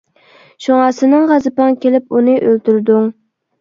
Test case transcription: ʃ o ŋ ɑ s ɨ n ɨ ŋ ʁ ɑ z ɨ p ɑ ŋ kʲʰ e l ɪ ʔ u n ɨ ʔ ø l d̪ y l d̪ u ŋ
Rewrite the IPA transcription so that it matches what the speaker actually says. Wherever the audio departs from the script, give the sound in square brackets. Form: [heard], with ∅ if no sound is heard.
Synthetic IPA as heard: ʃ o ŋ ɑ s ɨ n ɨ ŋ ʁ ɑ z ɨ p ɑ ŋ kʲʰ e l ɪ [p] u n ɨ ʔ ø l [t̪] y [ɾ] d̪ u ŋ